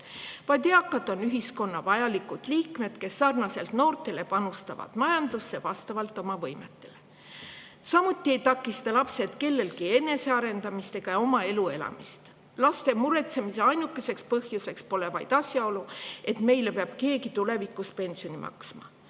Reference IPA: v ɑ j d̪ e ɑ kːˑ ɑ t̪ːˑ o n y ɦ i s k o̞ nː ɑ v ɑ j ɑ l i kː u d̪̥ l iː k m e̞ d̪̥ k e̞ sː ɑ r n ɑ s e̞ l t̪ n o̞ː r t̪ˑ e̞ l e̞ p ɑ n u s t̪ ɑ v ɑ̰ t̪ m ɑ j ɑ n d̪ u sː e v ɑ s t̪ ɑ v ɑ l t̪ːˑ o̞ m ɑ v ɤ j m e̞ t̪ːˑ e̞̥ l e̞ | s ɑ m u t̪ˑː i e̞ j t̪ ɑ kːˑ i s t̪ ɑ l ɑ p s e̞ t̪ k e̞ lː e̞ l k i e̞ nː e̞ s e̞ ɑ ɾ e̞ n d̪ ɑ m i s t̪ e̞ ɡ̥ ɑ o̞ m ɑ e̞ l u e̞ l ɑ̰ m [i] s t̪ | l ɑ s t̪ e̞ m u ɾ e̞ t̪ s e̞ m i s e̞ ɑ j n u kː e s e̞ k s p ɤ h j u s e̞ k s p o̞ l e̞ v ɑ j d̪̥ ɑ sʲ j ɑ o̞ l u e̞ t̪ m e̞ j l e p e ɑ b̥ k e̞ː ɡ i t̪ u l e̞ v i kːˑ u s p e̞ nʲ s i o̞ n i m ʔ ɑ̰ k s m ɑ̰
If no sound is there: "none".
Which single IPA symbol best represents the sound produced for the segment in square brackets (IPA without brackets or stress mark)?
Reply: i